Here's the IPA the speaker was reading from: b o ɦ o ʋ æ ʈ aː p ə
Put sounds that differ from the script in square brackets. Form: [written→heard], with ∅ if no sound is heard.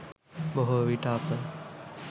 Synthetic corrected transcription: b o ɦ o ʋ [æ→i] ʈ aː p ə